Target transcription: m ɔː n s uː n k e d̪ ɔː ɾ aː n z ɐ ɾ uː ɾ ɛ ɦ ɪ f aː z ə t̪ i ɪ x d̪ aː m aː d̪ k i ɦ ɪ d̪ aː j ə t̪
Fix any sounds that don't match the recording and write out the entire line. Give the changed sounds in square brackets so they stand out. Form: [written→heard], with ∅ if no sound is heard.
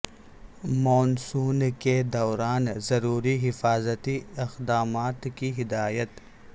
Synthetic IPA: m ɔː n s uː n k e d̪ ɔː ɾ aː n z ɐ ɾ uː ɾ [ɛ→i] ɦ ɪ f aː z ə t̪ i ɪ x d̪ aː m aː [d̪→t̪] k i ɦ ɪ d̪ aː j ə t̪

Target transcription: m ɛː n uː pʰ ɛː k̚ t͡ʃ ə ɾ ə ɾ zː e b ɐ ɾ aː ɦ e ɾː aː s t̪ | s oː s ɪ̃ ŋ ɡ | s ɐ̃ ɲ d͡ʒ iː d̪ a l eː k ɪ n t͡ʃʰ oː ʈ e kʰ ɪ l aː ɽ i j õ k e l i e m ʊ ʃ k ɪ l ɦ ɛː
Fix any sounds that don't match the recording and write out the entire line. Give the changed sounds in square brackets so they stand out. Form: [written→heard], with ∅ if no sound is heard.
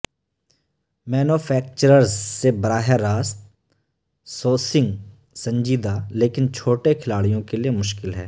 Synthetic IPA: m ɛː n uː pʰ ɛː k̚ t͡ʃ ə ɾ ə ɾ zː e b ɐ ɾ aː ɦ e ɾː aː s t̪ | s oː s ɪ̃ ŋ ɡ | s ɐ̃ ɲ d͡ʒ iː d̪ a l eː k ɪ n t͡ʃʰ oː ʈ e kʰ ɪ l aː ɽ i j õ k e l i e m ʊ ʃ k ɪ l ɦ ɛː

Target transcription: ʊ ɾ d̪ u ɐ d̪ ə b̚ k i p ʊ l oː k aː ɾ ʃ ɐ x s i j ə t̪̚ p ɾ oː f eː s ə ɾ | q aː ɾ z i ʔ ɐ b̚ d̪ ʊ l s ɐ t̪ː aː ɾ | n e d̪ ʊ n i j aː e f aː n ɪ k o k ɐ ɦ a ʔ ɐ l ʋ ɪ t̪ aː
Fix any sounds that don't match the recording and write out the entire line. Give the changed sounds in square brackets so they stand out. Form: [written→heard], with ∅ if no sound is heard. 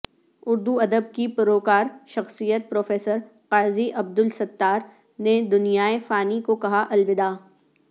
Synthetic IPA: ʊ ɾ d̪ u ɐ d̪ ə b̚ k i p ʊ [l→ɾ] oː k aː ɾ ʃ ɐ x s i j ə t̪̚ p ɾ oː f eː s ə ɾ | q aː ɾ z i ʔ ɐ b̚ d̪ ʊ l s ɐ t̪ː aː ɾ | n e d̪ ʊ n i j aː e f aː n [ɪ→i] k o k ɐ ɦ a ʔ ɐ l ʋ ɪ [t̪→d̪] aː

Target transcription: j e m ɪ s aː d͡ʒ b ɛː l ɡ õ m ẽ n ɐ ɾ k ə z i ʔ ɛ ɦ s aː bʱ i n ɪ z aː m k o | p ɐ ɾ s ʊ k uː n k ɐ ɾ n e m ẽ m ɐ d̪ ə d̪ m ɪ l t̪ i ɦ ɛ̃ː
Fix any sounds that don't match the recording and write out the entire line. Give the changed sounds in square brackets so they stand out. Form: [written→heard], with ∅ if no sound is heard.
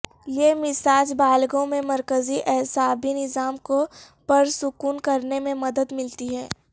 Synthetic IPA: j e m ɪ s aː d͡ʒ b [ɛː→aː] l ɡ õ m ẽ [n→m] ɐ ɾ k ə z i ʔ ɛ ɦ s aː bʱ i n ɪ z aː m k o | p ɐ ɾ s ʊ k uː n k ɐ ɾ n e m ẽ m ɐ d̪ ə d̪ m ɪ l t̪ i ɦ [ɛ̃ː→ɛː]

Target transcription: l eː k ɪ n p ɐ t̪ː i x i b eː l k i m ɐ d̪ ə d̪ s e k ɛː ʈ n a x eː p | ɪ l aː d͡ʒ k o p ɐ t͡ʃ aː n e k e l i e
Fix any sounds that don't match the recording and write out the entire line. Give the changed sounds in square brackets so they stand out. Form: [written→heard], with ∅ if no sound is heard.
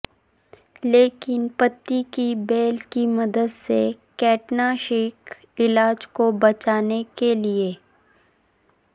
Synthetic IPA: l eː k ɪ n p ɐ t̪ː i [x→k] i b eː l k i m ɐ d̪ ə d̪ s e k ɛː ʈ n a [x→ʃ] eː [p→k] | ɪ l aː d͡ʒ k o [p→b] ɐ t͡ʃ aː n e k e l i e

